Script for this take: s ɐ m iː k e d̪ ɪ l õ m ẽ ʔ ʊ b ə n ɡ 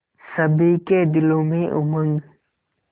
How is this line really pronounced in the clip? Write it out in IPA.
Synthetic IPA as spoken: s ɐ b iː k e d̪ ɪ l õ m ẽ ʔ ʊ m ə ŋ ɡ